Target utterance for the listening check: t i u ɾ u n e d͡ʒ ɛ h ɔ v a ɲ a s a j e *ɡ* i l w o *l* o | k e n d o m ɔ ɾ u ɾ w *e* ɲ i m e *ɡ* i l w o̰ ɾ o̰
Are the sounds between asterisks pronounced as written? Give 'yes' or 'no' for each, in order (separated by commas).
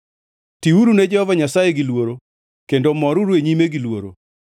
yes, no, yes, yes